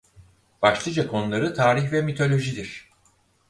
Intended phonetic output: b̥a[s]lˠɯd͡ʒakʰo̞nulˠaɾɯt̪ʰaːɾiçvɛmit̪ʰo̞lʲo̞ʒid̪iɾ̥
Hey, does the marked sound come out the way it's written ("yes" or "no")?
no